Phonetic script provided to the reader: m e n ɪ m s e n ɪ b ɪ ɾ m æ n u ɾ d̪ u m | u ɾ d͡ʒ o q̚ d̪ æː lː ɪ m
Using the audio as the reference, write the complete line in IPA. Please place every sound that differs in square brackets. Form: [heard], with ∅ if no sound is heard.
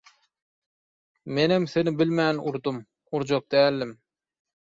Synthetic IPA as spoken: m e n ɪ m s e n ɪ b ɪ [l] m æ n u ɾ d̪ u m | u ɾ d͡ʒ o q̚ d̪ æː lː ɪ m